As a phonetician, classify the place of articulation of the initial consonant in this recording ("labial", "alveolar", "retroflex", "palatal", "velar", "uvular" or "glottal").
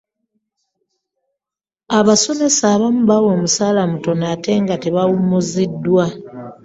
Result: labial